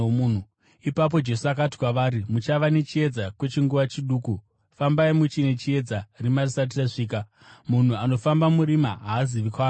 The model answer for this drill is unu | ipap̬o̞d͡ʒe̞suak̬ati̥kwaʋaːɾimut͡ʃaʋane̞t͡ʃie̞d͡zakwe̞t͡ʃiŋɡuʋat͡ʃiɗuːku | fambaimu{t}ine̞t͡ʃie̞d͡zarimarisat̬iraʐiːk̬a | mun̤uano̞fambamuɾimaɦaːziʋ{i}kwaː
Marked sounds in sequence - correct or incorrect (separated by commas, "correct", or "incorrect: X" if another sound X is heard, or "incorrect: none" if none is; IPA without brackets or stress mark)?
incorrect: t͡ʃ, correct